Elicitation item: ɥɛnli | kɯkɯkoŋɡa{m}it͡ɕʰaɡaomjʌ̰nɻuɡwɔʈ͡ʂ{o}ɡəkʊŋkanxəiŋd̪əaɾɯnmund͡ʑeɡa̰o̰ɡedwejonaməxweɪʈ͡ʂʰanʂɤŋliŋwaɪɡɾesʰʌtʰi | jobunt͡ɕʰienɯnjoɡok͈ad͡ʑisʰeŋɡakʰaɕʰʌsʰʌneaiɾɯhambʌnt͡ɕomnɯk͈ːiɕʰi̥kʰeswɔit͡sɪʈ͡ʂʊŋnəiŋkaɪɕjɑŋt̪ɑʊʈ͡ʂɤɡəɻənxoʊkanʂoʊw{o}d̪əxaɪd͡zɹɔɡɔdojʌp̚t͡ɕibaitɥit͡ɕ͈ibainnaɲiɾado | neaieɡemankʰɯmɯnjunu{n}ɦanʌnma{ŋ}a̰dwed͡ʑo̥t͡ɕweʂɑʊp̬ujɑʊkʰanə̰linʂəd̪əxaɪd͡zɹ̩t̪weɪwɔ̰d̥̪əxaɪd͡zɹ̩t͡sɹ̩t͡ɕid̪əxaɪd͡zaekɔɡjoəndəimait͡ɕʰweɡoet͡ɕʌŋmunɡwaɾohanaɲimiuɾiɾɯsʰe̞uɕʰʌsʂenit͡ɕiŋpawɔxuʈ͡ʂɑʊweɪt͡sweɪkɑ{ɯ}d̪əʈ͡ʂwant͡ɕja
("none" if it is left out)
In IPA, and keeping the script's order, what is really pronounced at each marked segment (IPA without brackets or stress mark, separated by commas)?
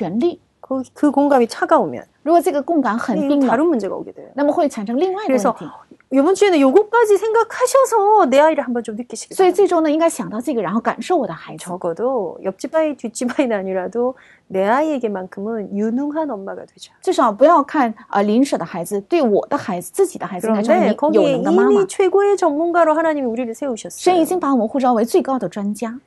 m, ɤ, ɔ, ŋ, ɡ, ʊ